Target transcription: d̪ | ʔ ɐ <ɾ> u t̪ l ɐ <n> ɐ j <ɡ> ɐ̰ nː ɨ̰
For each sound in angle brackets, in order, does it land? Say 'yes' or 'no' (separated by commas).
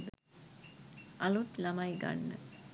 no, no, yes